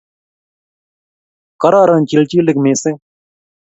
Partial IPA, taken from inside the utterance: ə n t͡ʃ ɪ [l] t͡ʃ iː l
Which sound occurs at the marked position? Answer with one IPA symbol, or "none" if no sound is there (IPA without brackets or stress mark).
l